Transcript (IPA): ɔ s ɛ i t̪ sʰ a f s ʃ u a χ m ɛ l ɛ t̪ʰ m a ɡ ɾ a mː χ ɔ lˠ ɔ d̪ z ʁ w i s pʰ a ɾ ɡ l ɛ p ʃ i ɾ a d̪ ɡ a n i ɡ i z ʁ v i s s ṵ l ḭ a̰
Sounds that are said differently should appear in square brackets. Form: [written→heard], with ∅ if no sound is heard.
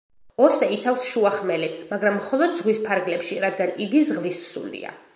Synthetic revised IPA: ɔ s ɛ i t̪ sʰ a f s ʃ u a χ m ɛ l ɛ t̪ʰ m a ɡ ɾ a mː χ ɔ lˠ ɔ d̪ z ʁ w i s pʰ a ɾ ɡ l ɛ p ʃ i ɾ a d̪ ɡ a n i ɡ i z ʁ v i s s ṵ l ḭ a̰